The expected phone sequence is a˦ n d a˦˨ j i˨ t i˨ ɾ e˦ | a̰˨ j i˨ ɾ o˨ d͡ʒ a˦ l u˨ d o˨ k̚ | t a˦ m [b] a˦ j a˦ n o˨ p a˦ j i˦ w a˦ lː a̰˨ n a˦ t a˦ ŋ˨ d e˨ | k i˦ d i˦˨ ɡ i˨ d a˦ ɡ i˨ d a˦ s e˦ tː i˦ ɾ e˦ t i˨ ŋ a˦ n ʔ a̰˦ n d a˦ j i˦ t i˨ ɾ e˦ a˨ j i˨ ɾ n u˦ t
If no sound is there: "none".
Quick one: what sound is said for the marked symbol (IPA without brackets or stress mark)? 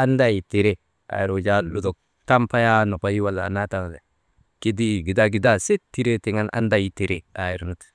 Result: p